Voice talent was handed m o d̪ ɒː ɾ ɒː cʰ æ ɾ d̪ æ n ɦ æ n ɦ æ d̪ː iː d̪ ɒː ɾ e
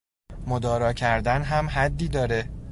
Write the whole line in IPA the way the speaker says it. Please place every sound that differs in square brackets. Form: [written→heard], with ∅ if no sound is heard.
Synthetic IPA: m o d̪ ɒː ɾ ɒː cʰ æ ɾ d̪ æ n ɦ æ [n→m] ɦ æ d̪ː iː d̪ ɒː ɾ e